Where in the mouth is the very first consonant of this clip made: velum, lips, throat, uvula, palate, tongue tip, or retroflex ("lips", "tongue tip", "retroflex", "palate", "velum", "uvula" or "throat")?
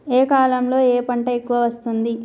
velum